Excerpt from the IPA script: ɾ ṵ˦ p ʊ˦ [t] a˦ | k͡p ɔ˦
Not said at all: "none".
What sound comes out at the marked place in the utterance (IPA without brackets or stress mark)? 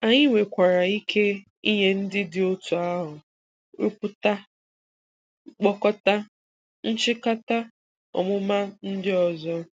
t